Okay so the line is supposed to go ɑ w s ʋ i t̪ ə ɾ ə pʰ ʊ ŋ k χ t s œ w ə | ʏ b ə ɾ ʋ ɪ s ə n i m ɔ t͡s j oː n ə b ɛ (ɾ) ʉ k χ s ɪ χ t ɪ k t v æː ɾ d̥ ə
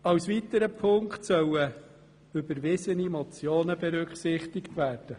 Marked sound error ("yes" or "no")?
no